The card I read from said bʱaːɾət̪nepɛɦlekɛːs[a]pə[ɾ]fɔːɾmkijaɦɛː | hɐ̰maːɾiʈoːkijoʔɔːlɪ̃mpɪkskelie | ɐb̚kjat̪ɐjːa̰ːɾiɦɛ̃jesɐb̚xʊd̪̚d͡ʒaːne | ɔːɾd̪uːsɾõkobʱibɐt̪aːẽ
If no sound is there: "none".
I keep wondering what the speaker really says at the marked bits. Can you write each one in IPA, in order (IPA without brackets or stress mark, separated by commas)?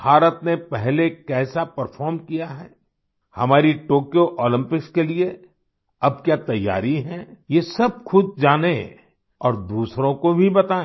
a, ɾ